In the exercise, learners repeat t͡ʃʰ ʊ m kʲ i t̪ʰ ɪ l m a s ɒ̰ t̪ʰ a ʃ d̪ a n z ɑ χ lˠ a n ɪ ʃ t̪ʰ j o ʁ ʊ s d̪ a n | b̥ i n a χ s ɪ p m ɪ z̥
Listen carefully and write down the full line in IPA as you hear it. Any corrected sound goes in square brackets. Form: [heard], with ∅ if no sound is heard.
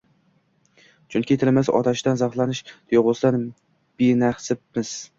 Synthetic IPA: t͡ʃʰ ʊ [ŋ] kʲ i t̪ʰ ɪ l m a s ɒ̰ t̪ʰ a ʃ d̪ a n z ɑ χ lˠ a n ɪ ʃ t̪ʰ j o ʁ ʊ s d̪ a n | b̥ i n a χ s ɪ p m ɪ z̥